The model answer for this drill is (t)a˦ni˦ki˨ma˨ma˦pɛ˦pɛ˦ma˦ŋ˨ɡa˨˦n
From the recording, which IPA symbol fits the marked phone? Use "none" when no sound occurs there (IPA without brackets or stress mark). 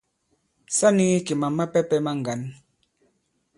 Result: s